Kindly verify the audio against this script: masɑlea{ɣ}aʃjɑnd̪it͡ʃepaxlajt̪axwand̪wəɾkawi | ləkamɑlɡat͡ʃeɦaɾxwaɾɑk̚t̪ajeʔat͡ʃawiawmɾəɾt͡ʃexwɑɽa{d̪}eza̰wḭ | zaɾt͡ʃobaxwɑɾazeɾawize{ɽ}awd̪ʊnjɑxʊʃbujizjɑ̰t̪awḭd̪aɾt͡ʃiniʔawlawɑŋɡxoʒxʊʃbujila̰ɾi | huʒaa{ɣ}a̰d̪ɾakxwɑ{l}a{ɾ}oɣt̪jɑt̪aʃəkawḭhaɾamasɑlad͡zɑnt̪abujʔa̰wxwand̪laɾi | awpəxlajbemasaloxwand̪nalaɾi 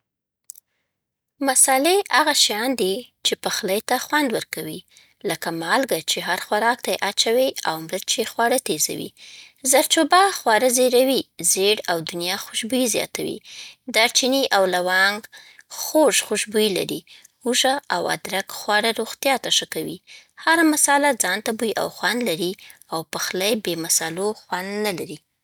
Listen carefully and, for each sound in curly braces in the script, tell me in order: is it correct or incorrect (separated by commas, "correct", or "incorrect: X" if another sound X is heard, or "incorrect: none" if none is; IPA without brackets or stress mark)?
correct, incorrect: t̪, correct, incorrect: w, incorrect: ɽ, correct